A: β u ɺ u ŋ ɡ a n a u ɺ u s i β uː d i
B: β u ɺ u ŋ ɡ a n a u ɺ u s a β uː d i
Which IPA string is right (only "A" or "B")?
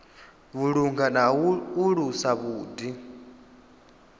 B